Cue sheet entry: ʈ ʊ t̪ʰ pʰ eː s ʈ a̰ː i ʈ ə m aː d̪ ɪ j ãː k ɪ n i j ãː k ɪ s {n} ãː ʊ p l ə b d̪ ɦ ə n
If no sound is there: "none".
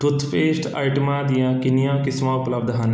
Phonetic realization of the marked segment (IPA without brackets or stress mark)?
m